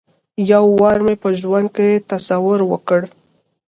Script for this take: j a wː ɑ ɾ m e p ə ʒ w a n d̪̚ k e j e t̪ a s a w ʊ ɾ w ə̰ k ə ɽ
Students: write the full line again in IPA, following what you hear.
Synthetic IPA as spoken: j a wː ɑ ɾ m e p ə ʒ w a n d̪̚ k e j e t̪ a s a w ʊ ɾ w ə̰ k ə ɽ